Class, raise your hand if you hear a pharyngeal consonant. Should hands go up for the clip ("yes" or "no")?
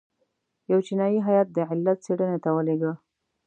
yes